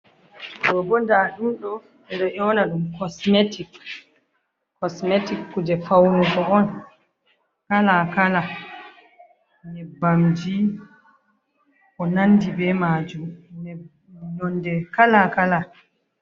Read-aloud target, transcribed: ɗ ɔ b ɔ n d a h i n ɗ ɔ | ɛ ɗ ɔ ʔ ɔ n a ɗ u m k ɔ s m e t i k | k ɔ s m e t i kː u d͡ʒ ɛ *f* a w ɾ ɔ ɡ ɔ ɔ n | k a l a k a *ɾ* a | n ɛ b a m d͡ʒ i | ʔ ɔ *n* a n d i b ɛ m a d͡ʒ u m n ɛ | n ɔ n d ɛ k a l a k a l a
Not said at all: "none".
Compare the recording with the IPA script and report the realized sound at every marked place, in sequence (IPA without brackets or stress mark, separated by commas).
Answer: f, l, n